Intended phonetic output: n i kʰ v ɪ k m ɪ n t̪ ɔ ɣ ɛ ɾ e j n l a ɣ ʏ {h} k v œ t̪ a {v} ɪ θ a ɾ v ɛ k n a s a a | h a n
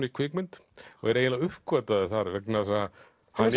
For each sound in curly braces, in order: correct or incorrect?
correct, incorrect: ð

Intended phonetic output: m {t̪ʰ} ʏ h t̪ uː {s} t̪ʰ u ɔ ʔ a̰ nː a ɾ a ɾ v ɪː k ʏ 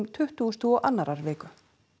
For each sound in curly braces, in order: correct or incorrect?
correct, correct

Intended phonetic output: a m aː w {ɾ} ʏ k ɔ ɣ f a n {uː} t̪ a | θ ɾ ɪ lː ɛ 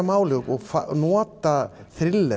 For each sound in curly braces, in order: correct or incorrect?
incorrect: l, incorrect: ɔː

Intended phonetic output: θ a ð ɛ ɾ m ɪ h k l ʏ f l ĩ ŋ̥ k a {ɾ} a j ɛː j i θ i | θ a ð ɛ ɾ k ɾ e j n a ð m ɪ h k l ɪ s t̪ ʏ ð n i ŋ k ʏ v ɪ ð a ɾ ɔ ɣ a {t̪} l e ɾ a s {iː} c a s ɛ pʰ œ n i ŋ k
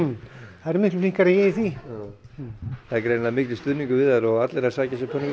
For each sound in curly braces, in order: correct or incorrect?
correct, correct, incorrect: aː

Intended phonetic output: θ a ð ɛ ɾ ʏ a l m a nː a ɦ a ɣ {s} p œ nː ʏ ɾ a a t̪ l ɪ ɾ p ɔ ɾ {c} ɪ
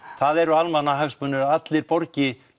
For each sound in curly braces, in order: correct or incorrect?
correct, correct

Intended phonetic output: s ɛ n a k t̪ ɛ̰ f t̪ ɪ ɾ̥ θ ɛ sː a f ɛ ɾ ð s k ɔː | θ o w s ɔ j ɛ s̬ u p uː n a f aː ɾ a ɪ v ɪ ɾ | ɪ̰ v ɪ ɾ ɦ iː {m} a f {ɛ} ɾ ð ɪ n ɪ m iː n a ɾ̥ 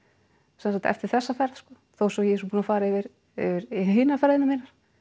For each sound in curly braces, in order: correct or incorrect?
incorrect: n, correct

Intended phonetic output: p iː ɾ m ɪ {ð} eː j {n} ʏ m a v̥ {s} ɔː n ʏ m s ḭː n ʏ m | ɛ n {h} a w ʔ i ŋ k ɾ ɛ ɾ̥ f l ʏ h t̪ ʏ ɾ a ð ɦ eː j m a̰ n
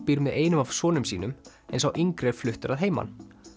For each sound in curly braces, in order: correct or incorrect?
correct, correct, correct, incorrect: s

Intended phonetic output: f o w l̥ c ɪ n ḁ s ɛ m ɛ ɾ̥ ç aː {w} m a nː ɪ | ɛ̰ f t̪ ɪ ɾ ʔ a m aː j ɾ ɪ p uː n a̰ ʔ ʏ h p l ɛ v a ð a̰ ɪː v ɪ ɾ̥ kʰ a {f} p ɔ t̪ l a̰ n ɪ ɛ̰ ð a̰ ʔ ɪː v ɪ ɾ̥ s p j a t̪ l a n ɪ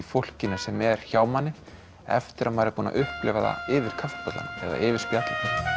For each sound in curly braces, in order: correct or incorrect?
correct, correct

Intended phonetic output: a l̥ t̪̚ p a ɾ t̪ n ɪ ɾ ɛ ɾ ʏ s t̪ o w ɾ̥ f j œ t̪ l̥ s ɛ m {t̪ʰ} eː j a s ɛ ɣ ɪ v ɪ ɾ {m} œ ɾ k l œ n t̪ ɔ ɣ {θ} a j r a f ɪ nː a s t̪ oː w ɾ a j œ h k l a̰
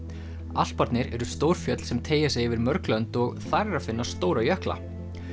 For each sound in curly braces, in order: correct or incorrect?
correct, correct, correct

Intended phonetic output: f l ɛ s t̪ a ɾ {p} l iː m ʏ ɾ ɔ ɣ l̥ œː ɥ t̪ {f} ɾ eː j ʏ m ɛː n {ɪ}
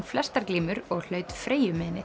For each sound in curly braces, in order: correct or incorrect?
incorrect: k, correct, correct

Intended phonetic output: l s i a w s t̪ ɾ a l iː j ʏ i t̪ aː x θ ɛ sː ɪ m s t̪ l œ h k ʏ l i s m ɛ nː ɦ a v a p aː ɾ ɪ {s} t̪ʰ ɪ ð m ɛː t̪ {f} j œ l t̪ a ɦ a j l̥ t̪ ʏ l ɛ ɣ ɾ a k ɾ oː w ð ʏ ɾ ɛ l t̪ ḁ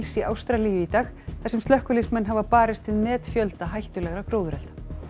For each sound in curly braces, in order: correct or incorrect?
correct, correct

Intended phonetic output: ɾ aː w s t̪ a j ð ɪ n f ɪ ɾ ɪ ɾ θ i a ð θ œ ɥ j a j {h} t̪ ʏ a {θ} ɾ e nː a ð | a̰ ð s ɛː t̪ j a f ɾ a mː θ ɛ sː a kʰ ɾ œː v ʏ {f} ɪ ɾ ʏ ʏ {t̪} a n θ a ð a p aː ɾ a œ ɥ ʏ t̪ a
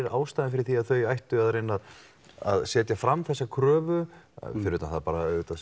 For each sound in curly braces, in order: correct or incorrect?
correct, incorrect: ð, correct, correct

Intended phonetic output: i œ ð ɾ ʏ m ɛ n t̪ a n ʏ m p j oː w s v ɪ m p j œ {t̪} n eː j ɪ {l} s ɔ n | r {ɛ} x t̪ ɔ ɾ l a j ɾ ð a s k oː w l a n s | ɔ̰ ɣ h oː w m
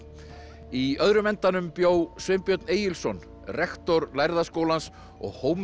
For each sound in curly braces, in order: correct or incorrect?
correct, correct, correct

